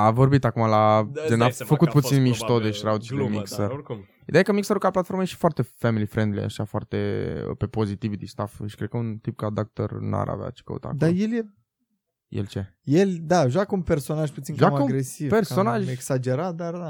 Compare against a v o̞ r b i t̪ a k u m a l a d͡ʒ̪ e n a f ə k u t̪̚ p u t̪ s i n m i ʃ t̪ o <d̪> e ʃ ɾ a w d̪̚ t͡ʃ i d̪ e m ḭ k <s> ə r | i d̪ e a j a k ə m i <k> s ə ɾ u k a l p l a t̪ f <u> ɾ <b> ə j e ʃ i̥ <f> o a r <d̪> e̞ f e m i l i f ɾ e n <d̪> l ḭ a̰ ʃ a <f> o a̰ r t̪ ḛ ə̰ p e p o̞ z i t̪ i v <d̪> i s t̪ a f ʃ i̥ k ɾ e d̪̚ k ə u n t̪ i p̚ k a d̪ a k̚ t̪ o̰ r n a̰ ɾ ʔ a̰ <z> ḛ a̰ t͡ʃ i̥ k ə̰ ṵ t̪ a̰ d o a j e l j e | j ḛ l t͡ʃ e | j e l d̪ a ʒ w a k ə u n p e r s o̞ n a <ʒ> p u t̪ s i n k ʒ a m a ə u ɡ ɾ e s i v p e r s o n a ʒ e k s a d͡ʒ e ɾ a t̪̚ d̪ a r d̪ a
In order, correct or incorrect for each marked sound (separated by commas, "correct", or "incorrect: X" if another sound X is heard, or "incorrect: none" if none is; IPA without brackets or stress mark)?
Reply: correct, correct, correct, incorrect: o, incorrect: m, correct, incorrect: t̪, correct, correct, correct, incorrect: v, correct